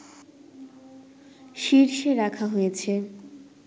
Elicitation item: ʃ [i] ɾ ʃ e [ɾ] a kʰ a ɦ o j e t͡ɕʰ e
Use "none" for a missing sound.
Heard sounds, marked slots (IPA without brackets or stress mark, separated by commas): i, ɾ